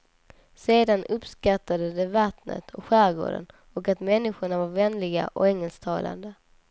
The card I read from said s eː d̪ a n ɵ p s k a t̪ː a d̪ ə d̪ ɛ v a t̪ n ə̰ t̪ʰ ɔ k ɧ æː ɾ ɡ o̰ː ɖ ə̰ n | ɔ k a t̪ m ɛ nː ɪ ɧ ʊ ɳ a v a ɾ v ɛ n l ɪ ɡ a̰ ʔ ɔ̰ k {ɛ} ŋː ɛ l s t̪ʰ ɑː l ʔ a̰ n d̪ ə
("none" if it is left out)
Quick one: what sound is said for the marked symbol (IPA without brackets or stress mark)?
ɛ